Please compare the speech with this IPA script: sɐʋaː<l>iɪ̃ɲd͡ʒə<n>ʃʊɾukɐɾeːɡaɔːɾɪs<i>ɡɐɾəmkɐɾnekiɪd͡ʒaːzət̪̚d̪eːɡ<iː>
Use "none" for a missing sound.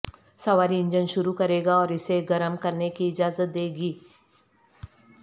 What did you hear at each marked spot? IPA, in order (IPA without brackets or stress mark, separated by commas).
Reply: ɾ, n, e, iː